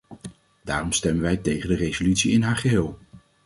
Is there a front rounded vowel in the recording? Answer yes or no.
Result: yes